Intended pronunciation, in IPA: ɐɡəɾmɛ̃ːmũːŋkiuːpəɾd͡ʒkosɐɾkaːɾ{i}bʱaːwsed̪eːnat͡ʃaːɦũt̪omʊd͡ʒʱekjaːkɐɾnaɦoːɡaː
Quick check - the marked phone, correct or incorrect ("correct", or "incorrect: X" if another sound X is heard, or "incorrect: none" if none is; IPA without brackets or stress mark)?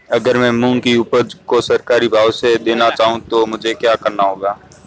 correct